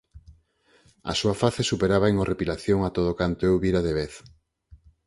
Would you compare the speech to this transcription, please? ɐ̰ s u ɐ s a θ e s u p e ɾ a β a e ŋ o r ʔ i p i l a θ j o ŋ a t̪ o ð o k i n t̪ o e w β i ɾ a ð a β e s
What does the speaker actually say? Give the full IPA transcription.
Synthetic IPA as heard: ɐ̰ s u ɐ f a θ e s u p e ɾ a β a e ŋ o r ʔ e p i l a θ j o ŋ a t̪ o ð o k a n t̪ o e w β i ɾ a ð e β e θ